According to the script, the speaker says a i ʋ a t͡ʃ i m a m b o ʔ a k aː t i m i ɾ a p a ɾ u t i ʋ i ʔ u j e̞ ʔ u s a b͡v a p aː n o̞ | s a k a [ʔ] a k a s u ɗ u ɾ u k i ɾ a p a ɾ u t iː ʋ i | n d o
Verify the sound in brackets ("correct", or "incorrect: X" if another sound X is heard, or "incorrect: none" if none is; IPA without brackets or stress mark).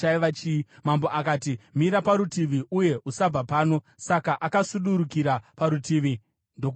correct